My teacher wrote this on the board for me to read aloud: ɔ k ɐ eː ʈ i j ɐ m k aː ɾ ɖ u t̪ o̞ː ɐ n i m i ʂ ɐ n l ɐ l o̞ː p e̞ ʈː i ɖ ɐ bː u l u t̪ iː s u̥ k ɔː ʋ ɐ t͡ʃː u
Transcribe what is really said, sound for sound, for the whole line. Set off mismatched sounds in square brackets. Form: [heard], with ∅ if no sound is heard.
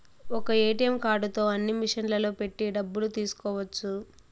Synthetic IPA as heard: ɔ k ɐ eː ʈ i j ɐ m k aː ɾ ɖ u t̪ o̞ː ɐ [nː] i m i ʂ ɐ n l ɐ l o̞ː p e̞ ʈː i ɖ ɐ bː u l u t̪ iː s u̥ k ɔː ʋ ɐ t͡ʃː u